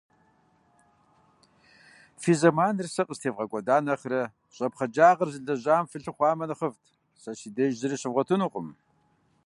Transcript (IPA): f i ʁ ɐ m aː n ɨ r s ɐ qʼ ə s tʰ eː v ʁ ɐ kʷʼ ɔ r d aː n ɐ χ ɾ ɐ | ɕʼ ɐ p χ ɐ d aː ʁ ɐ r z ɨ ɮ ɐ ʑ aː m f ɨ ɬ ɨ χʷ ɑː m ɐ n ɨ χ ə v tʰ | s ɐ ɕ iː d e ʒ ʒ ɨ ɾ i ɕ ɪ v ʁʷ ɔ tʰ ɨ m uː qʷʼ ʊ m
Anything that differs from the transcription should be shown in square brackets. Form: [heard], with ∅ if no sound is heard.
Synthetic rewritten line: f i [z] ɐ m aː n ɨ r s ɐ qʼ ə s tʰ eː v ʁ ɐ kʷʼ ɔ [∅] d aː n ɐ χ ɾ ɐ | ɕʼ ɐ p χ ɐ [d͡ʒ] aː ʁ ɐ r z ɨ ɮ ɐ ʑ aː m f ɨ ɬ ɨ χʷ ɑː m ɐ n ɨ χ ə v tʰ | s ɐ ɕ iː d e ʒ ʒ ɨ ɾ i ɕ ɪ v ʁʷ ɔ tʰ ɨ [n] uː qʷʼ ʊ m

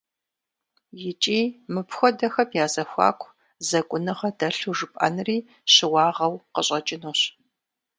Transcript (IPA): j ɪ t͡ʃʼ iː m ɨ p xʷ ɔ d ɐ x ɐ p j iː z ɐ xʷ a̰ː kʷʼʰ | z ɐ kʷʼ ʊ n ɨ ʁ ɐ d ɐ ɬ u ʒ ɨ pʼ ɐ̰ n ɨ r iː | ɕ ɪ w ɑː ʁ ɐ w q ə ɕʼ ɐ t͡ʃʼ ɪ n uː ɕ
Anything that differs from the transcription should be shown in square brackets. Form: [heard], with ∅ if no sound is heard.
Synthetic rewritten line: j ɪ t͡ʃʼ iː m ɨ p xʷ ɔ d ɐ x ɐ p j [aː] z ɐ xʷ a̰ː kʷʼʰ | z ɐ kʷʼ ʊ n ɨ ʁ ɐ d ɐ ɬ u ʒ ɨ pʼ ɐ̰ n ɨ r iː | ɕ ɪ w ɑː ʁ ɐ w q ə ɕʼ ɐ t͡ʃʼ ɪ n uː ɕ

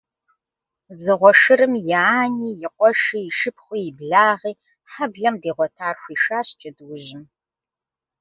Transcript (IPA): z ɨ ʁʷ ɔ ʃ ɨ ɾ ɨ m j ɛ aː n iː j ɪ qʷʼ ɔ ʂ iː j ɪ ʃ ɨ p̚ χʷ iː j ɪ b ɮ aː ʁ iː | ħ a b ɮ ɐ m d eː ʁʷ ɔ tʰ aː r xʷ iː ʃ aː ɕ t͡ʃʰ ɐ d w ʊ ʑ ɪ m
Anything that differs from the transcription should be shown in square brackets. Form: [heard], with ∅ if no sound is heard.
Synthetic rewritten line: z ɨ ʁʷ ɔ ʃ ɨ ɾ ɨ m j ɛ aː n iː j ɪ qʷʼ ɔ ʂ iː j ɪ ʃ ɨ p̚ χʷ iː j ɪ b ɮ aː ʁ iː | ħ a b ɮ ɐ m d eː ʁʷ ɔ tʰ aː r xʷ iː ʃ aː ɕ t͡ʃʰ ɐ d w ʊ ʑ ɪ m

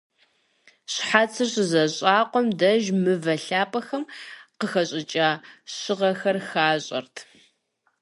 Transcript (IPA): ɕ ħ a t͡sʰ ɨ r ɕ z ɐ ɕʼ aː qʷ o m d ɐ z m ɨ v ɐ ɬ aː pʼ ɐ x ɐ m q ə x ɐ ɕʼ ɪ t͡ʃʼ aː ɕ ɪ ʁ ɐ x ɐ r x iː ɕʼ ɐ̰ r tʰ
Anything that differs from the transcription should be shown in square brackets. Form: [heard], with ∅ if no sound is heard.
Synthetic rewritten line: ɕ ħ a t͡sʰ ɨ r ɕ z ɐ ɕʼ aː qʷ [ɔ] m d ɐ [ʒ] m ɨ v ɐ ɬ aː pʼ ɐ x ɐ m q ə x ɐ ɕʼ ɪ t͡ʃʼ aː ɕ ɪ ʁ ɐ x ɐ r x [aː] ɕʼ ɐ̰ r tʰ

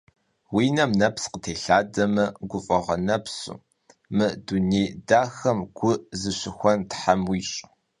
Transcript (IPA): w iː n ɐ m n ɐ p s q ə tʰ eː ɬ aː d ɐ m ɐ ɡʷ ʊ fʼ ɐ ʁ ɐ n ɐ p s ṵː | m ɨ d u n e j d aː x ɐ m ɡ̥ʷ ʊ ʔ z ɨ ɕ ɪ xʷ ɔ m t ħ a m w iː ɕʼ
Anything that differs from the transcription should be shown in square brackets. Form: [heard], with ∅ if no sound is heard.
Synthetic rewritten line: w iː n ɐ m n ɐ p s q ə tʰ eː ɬ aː d ɐ m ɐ ɡʷ ʊ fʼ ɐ ʁ ɐ n ɐ p s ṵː | m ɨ d u n e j d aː x ɐ m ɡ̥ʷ ʊ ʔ z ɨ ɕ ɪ xʷ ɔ [n] t ħ a m w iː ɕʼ

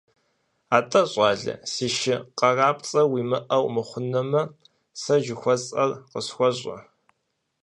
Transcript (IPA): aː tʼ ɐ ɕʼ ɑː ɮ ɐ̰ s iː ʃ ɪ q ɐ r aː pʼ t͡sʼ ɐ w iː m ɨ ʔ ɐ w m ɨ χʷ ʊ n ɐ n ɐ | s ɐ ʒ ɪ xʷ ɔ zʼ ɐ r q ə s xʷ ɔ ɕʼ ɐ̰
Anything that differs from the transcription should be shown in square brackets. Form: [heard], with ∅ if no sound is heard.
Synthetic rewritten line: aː tʼ ɐ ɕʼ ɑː ɮ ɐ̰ s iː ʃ ɪ q ɐ r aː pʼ t͡sʼ ɐ w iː m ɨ ʔ ɐ w m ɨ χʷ ʊ n ɐ [m] ɐ | s ɐ ʒ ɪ xʷ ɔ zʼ ɐ r q ə s xʷ ɔ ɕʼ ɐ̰

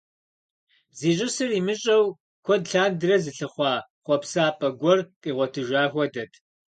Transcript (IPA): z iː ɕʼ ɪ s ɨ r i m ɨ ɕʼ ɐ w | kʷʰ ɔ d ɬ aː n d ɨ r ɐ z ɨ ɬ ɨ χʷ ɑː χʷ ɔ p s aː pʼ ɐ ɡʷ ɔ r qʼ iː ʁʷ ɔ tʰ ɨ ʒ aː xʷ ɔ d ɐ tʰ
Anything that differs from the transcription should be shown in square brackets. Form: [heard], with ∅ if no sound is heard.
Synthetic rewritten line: z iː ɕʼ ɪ s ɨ r i m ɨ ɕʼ ɐ w | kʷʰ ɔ d ɬ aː n d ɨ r ɐ z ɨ ɬ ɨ χʷ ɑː χʷ ɔ p s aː pʼ ɐ ɡʷ ɔ r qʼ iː ʁʷ ɔ tʰ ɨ ʒ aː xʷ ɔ d ɐ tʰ

